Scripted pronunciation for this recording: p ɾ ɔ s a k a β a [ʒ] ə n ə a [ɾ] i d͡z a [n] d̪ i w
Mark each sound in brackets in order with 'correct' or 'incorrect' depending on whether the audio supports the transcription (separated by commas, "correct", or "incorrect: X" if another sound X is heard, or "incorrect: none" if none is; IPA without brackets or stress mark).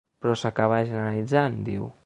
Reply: correct, incorrect: l, correct